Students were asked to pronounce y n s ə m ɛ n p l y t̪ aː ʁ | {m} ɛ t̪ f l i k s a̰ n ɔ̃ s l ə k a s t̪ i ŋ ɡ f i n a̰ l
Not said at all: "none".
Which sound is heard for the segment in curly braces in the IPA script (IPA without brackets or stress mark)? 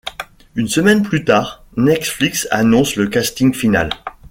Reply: n